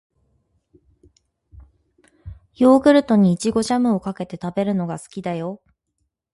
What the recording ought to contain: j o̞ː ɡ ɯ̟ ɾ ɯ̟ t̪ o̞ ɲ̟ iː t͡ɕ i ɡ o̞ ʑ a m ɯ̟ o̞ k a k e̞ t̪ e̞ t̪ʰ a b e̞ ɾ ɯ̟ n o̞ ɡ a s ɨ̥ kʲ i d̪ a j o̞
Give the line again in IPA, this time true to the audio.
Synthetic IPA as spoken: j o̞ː ɡ ɯ̟ ɾ ɯ̟ t̪ o̞ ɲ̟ iː t͡ɕ i ɡ o̞ ʑ a m ɯ̟ o̞ k a k e̞ t̪ e̞ t̪ a b e̞ ɾ ɯ̟ n o̞ ɡ a s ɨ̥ kʲ i d̪ a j o̞